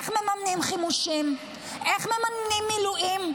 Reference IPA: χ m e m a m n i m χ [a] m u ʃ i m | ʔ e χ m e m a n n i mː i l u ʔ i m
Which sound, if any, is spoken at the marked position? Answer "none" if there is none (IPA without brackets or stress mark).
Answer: i